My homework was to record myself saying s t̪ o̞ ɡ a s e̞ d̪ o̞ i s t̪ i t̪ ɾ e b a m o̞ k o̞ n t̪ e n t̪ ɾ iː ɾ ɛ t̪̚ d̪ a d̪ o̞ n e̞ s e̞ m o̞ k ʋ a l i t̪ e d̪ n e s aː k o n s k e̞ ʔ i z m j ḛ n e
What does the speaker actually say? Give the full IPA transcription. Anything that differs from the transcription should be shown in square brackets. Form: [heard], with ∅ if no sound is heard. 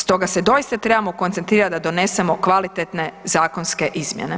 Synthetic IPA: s t̪ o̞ ɡ a s e̞ d̪ o̞ i s t̪ [a] t̪ ɾ e b a m o̞ k o̞ n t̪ e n t̪ ɾ iː ɾ [a] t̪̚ d̪ a d̪ o̞ n e̞ s e̞ m o̞ k ʋ a l i t̪ e [t̪] n e [z] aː k o n s k e̞ ʔ i z m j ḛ n e